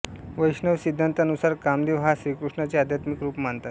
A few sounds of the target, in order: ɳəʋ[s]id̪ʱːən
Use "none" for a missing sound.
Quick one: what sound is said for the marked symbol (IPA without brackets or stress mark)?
s